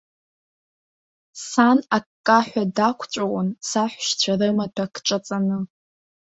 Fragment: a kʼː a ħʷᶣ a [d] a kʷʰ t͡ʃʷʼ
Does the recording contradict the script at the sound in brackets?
no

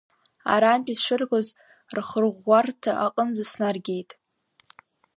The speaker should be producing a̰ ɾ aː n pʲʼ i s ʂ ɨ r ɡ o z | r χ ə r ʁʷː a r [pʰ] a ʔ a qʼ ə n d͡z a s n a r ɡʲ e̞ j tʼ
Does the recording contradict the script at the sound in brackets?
yes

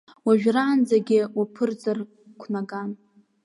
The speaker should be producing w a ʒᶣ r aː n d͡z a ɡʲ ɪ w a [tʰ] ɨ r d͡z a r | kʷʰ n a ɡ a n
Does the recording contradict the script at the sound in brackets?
yes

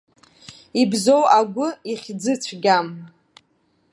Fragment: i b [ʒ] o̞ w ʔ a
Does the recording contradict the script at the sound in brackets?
yes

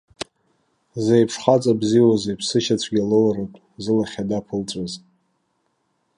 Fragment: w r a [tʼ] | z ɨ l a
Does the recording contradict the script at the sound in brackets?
no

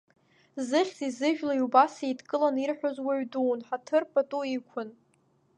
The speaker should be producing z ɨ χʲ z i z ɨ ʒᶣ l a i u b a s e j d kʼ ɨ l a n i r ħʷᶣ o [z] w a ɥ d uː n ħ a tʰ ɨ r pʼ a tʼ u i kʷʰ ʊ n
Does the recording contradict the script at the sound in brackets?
no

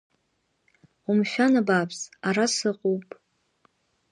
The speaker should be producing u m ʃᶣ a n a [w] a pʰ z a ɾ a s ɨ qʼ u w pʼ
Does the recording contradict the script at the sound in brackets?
yes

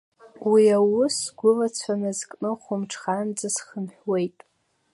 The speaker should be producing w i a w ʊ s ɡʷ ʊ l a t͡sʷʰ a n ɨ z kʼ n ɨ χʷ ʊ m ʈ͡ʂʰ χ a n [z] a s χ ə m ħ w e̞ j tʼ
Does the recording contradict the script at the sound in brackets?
yes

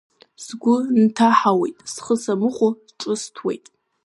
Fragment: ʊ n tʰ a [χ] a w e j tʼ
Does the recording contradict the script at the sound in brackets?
yes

